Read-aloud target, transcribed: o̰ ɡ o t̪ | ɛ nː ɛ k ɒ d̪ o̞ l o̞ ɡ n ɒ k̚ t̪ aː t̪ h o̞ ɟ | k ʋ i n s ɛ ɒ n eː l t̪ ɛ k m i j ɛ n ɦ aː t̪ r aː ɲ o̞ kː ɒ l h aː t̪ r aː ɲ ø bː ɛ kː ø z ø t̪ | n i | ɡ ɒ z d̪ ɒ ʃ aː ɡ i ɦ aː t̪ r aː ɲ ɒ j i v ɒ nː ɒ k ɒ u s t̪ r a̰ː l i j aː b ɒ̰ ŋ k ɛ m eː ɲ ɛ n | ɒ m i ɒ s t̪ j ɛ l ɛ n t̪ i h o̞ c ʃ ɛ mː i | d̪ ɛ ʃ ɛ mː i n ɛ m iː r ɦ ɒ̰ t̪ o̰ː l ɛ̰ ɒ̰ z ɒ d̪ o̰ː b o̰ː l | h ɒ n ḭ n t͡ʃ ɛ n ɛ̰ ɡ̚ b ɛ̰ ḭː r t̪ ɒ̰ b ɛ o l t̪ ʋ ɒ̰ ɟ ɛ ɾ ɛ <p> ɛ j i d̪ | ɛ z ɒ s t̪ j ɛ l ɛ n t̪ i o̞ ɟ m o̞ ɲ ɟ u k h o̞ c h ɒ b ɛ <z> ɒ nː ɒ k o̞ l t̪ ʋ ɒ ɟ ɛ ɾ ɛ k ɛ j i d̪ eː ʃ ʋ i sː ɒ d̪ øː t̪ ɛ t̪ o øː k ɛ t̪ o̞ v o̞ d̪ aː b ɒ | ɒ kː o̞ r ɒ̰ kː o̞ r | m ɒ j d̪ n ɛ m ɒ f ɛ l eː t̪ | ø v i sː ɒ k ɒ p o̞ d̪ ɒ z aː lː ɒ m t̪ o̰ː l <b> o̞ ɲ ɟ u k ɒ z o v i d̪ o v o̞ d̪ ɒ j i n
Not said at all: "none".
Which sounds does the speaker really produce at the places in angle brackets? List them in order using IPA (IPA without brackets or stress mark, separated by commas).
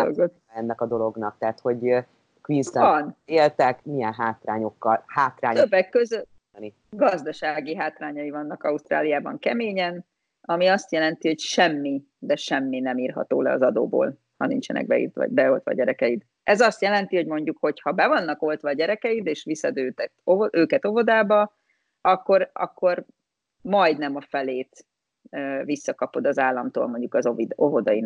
k, v, m